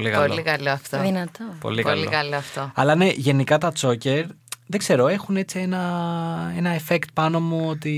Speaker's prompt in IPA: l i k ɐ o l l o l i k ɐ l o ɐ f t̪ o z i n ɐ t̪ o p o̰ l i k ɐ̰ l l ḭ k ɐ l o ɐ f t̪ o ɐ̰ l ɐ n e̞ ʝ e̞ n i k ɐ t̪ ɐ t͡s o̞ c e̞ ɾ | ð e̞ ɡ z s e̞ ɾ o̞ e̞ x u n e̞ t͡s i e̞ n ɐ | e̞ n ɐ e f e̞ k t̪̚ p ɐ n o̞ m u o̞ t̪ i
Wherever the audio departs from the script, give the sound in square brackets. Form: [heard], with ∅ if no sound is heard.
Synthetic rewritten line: l i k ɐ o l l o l i k ɐ l o ɐ f t̪ o [ð] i n ɐ t̪ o p o̰ l i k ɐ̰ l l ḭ k ɐ l o ɐ f t̪ o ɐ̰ l ɐ n e̞ ʝ e̞ n i k ɐ t̪ ɐ t͡s o̞ c e̞ ɾ | ð e̞ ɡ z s e̞ ɾ o̞ e̞ x u n e̞ t͡s i e̞ n ɐ | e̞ n ɐ e f e̞ k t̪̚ p ɐ n o̞ m u o̞ t̪ i